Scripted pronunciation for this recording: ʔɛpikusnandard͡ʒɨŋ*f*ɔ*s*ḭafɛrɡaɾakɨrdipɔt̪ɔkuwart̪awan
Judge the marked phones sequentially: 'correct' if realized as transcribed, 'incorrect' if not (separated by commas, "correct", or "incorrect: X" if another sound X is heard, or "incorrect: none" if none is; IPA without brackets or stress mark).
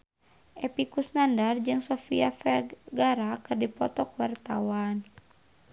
incorrect: s, incorrect: f